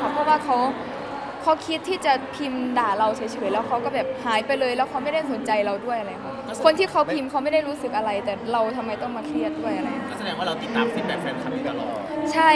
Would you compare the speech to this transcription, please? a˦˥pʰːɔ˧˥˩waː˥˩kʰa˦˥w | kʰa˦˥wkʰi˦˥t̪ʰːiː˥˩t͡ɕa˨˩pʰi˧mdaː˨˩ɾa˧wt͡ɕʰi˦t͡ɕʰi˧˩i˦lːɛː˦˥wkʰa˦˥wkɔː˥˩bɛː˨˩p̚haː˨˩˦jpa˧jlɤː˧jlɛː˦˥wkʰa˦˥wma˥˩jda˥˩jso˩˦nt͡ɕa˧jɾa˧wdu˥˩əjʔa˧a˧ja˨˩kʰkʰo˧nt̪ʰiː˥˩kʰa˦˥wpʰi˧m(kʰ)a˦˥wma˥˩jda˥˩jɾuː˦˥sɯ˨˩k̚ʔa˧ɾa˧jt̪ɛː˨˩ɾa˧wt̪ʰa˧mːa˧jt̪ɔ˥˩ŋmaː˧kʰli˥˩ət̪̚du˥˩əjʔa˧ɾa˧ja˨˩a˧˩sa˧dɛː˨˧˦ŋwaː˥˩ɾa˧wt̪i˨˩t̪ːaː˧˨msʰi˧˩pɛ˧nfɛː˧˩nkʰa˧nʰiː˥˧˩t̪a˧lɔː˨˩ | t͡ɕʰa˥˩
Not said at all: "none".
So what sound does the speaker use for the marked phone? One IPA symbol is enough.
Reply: kʰ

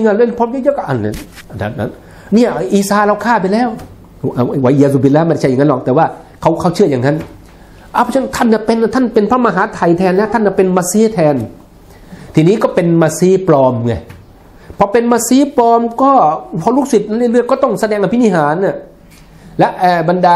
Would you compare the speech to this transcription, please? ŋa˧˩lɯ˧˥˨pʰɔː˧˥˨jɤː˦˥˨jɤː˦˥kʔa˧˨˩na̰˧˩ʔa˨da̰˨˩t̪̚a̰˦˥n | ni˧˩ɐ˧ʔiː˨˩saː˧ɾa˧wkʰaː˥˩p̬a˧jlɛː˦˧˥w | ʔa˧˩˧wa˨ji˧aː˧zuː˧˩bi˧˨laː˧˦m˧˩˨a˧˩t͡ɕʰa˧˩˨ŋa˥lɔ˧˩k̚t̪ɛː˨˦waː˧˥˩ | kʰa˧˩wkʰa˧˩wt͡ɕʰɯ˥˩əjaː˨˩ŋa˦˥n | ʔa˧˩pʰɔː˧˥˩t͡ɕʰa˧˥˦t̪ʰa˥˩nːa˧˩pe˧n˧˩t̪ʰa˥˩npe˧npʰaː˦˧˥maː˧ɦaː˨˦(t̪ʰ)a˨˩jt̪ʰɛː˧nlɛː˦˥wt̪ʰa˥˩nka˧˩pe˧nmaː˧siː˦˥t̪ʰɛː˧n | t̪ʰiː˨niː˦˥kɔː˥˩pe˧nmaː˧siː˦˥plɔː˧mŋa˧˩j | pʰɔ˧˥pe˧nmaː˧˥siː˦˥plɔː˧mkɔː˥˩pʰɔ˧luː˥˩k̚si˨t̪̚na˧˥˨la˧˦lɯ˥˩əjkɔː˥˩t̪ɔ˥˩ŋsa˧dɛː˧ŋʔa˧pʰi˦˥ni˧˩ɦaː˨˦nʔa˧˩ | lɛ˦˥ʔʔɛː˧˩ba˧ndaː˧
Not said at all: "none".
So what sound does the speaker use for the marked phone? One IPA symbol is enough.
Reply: t̪ʰ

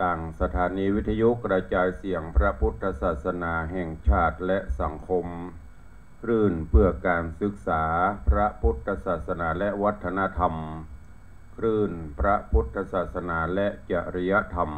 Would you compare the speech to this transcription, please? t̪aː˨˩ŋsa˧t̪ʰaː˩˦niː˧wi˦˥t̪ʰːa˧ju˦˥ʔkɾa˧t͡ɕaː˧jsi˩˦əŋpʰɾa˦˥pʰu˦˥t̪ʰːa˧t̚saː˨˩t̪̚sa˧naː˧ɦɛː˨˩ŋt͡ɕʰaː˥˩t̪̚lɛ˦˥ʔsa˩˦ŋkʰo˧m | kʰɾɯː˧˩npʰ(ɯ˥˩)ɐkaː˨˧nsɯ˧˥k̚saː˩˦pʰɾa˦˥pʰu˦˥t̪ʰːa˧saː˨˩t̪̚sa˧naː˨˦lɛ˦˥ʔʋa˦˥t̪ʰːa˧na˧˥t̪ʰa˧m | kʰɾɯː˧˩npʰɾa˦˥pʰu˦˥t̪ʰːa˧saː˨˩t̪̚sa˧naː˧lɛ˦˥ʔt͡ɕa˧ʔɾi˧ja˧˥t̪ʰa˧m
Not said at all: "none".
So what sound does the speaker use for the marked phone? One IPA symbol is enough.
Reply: ɯ˧˩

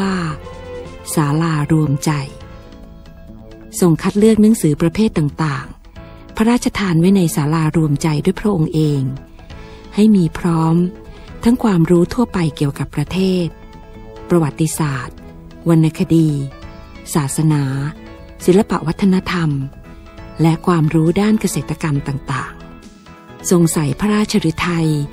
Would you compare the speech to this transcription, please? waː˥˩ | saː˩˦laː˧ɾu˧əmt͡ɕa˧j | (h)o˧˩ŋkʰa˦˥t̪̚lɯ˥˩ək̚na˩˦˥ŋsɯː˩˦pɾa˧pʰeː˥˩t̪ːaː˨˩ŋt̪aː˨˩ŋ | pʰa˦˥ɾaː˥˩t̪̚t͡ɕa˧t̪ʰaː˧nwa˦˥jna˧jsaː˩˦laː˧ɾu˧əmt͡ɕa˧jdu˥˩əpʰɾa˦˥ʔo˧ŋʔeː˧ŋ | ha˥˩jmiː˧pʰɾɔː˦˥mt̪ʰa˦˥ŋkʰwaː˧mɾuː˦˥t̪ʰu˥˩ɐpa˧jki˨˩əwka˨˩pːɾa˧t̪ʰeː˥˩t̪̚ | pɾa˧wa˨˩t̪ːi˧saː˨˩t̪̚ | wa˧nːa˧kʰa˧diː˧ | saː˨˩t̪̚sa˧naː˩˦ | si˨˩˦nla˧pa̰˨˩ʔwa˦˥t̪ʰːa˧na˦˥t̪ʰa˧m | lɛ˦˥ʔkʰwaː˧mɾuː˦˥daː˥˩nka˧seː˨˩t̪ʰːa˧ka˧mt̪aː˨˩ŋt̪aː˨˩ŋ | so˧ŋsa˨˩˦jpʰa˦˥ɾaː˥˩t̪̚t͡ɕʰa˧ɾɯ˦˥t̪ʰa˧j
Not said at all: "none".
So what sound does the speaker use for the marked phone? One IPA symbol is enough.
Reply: s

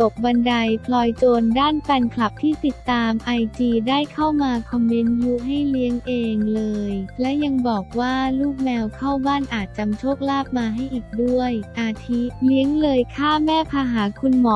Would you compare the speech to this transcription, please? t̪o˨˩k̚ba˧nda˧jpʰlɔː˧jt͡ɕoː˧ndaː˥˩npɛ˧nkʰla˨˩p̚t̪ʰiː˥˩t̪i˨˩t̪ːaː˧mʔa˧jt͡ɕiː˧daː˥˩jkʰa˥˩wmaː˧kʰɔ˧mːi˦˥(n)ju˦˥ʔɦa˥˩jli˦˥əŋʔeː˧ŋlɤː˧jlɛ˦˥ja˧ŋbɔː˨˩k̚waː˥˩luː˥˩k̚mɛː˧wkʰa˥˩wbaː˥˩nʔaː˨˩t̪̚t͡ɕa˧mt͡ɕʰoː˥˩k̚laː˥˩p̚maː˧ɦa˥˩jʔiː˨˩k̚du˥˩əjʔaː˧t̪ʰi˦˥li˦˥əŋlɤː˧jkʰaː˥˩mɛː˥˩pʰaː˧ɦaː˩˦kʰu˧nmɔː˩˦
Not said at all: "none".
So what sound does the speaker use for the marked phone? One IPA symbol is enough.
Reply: n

